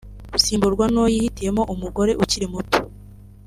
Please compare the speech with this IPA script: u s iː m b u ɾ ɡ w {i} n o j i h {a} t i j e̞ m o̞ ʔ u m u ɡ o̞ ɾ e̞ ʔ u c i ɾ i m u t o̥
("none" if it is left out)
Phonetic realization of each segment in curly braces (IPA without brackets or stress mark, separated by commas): a, i